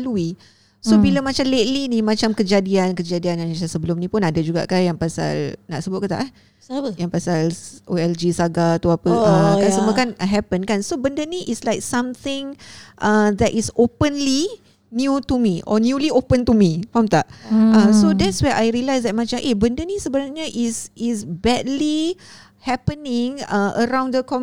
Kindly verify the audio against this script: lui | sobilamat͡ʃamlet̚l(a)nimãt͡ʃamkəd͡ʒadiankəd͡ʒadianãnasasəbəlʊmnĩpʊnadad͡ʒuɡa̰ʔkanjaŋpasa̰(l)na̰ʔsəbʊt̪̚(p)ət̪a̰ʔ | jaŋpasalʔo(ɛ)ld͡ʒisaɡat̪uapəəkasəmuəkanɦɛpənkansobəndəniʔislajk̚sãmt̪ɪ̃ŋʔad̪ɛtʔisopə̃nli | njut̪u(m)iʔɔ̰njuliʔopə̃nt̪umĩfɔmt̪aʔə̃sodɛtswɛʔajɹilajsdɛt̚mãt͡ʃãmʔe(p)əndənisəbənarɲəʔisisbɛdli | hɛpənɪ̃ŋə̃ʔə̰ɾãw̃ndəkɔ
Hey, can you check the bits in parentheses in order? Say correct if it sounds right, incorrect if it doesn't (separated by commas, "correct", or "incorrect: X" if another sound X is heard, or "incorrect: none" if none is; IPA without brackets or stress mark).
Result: incorrect: i, correct, incorrect: k, correct, correct, incorrect: b